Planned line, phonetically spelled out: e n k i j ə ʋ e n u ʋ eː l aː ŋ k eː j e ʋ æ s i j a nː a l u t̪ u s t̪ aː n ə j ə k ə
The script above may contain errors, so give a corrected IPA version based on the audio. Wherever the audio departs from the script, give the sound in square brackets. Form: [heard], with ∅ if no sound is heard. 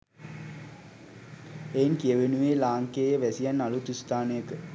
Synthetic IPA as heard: e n k i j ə ʋ e n u ʋ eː l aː ŋ k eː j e ʋ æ s i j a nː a l u t̪ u s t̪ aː n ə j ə k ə